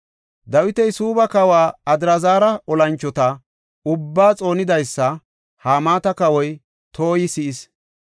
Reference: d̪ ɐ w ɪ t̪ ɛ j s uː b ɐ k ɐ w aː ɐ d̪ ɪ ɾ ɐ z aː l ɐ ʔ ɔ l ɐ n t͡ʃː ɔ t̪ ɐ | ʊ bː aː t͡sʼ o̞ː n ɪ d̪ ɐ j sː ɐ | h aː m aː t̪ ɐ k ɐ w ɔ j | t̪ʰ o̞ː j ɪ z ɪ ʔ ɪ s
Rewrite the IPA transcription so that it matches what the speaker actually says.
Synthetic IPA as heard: d̪ ɐ w ɪ t̪ ɛ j s uː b ɐ k ɐ w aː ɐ d̪ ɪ ɾ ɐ z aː ɾ ɐ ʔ ɔ l ɐ n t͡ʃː ɔ t̪ ɐ | ʊ bː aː t͡sʼ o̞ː n ɪ d̪ ɐ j sː ɐ | h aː m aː t̪ ɐ k ɐ w ɔ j | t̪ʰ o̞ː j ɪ s ɪ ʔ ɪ s